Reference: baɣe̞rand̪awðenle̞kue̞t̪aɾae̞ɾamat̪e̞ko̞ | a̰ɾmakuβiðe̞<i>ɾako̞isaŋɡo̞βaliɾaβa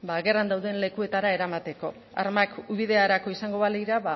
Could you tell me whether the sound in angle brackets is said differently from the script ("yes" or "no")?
yes